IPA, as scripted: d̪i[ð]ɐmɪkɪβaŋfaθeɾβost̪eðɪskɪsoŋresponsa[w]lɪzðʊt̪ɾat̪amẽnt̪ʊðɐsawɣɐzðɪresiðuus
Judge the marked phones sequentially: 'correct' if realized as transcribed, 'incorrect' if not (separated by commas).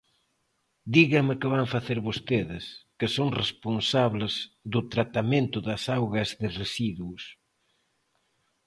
incorrect, incorrect